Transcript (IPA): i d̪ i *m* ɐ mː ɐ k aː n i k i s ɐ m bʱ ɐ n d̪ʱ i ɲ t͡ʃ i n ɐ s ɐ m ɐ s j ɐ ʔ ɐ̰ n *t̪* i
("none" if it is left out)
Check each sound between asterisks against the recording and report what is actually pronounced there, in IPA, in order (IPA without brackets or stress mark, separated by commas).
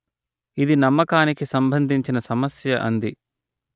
n, d̪